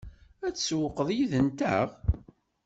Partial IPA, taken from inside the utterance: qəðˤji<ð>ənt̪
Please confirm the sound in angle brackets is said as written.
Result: yes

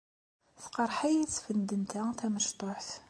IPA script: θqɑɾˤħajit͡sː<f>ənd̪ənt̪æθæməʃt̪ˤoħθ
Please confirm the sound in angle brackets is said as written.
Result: yes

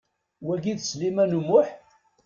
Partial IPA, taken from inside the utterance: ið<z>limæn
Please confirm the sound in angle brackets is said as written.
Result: no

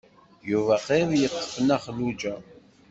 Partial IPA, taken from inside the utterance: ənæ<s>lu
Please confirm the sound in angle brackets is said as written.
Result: no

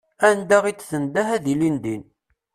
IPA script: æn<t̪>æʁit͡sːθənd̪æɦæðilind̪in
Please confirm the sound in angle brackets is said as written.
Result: no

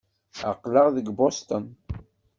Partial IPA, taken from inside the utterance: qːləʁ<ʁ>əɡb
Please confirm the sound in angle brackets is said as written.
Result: no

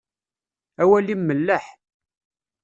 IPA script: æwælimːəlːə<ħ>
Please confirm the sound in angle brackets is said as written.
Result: yes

